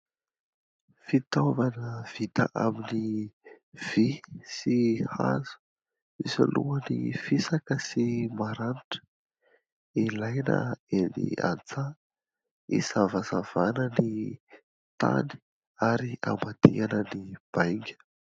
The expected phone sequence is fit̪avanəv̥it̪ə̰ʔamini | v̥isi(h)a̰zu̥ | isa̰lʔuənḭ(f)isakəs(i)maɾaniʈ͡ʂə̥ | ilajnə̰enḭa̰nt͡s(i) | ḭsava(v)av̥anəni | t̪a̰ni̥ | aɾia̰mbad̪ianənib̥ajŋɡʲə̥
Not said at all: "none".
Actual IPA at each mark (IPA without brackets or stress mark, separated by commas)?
h, f, i, a, z